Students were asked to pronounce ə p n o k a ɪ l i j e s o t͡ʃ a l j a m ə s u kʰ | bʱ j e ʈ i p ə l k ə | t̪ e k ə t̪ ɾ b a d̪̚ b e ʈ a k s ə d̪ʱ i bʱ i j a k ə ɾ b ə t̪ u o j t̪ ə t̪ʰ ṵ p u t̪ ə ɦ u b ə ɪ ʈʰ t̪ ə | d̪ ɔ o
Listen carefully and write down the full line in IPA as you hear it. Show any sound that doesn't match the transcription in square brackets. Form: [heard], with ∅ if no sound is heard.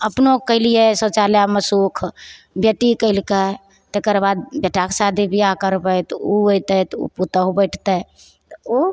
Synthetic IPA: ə p n o k [ə] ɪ l i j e s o t͡ʃ a l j a m ə s u kʰ | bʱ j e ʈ i [k] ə l k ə | t̪ e k ə [∅] ɾ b a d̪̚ b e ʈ a k s [a] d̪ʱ i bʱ i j a k ə ɾ b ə t̪ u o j t̪ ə [t̪] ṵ p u t̪ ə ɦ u b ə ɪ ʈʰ t̪ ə | [t̪] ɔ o